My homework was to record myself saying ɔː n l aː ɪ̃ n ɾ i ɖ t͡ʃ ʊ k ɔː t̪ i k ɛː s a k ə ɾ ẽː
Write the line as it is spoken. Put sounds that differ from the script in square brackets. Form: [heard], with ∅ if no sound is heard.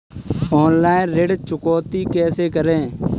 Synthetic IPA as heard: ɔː n l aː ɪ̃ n ɾ [e] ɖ t͡ʃ ʊ k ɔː t̪ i k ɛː s [e] k ə ɾ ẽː